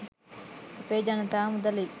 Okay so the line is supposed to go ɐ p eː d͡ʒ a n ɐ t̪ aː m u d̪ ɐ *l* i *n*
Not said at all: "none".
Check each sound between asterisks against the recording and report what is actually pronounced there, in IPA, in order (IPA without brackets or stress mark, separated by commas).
l, none